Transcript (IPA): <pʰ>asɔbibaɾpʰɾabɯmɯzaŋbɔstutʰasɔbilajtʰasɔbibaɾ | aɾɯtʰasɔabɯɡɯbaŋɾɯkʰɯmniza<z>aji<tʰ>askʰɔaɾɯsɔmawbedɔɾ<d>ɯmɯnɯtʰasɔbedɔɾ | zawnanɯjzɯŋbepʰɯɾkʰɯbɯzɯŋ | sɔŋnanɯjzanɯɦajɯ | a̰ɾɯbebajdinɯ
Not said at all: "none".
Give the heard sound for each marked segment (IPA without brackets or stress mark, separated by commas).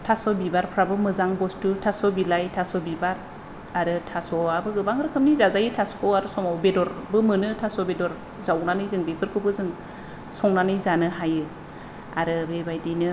tʰ, z, tʰ, b